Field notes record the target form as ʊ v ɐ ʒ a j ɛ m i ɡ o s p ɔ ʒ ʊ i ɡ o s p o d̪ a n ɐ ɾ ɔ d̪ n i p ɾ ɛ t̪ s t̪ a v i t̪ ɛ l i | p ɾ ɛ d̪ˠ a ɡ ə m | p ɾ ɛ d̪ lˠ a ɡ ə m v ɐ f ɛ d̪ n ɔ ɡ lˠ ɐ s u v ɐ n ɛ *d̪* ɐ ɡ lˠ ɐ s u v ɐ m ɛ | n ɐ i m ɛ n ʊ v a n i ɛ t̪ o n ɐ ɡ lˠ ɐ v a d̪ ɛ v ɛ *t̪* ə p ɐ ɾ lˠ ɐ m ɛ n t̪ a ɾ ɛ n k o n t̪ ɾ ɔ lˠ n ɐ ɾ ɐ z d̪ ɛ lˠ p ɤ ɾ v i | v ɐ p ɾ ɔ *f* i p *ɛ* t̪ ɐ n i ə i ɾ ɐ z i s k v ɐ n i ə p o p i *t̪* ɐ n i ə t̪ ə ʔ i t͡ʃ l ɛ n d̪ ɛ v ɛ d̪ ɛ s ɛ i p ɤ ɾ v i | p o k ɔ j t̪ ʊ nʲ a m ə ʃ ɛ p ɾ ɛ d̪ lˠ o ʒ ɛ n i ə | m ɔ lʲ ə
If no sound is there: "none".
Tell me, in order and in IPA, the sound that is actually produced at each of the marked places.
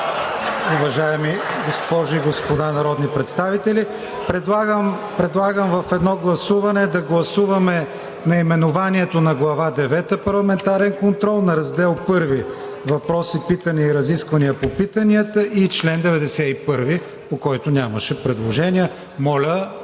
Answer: d̪, t̪, s, i, t̪

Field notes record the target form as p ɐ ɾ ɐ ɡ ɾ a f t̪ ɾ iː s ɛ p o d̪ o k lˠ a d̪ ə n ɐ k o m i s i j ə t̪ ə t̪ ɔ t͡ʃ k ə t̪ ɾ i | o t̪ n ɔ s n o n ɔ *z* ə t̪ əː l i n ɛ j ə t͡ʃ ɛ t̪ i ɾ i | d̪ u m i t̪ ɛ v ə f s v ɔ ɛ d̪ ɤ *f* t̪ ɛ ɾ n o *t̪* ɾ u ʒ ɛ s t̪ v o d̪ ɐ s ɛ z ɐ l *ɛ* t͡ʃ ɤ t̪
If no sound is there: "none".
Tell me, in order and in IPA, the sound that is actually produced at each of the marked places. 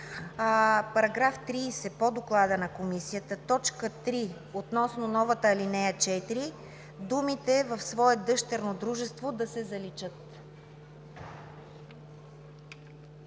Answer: v, ʃ, d̪, i

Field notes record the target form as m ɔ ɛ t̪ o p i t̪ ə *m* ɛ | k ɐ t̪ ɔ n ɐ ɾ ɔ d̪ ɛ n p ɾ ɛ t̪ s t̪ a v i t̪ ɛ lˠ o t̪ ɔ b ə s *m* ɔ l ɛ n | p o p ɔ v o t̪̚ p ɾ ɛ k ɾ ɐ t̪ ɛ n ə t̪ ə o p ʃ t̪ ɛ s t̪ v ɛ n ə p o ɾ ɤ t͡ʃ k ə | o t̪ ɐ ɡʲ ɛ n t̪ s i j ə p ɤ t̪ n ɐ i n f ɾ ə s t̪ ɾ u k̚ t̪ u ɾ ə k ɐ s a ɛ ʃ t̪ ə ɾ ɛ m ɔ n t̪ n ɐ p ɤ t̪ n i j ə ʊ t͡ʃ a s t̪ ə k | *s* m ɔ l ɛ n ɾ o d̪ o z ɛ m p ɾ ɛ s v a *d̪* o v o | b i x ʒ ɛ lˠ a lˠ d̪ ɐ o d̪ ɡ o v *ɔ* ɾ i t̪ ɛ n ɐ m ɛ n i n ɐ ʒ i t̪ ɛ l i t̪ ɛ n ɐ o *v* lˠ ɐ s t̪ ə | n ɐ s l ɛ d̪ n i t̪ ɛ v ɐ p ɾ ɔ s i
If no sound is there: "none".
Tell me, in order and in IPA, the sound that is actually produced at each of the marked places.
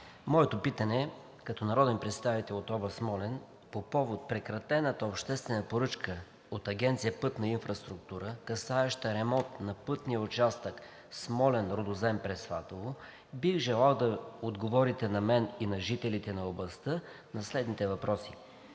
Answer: n, m, s, t̪, ɔ, b

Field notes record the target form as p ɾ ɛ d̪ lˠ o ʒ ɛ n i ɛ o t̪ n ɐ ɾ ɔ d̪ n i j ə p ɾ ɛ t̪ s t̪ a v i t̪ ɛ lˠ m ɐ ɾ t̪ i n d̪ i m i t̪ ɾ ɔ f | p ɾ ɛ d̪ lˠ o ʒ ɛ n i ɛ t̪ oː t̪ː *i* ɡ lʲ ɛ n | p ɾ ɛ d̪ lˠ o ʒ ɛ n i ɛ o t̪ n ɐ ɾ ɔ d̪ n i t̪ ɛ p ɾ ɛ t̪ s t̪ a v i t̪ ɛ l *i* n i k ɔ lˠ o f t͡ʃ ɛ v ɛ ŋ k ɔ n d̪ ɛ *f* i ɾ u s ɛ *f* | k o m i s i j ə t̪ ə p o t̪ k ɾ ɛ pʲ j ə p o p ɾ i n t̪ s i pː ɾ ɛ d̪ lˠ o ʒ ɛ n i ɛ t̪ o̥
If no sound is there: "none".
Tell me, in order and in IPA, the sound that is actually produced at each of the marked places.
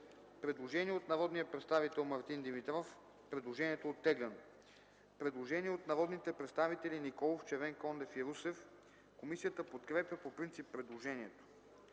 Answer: ɛ, i, f, f

